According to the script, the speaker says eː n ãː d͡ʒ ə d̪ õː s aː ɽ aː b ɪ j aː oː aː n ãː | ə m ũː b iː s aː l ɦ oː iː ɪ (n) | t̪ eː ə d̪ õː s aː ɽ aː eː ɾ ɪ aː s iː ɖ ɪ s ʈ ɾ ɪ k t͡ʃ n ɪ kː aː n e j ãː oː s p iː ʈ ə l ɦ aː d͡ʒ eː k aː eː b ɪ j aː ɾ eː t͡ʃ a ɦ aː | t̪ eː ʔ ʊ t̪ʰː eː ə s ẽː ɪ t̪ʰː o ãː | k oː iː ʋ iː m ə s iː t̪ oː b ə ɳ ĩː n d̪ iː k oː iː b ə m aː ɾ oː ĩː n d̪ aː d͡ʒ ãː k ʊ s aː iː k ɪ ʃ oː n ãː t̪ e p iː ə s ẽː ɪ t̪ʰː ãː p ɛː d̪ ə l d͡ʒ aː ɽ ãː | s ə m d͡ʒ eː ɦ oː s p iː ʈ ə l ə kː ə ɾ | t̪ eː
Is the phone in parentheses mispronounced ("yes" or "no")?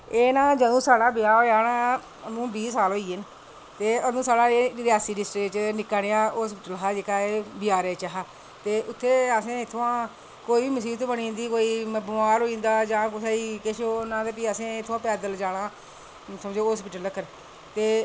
no